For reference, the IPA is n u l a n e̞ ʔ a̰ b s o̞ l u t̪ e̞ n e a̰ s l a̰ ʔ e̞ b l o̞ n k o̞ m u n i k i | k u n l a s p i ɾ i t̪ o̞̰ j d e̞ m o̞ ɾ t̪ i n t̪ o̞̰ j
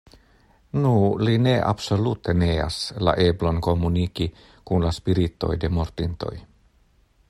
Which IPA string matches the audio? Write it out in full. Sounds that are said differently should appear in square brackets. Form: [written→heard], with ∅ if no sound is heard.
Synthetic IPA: n u l [a→i] n e̞ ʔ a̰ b s o̞ l u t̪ e̞ n e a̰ s l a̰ ʔ e̞ b l o̞ n k o̞ m u n i k i | k u n l a s p i ɾ i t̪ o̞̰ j d e̞ m o̞ ɾ t̪ i n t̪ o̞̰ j